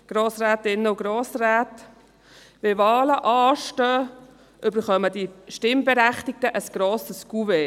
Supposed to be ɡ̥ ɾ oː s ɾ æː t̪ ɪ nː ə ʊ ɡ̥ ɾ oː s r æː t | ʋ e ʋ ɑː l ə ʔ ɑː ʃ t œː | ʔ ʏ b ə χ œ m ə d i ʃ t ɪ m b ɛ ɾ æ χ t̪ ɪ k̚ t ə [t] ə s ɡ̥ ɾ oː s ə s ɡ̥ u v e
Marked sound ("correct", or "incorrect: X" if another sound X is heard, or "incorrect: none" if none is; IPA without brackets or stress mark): incorrect: ʔ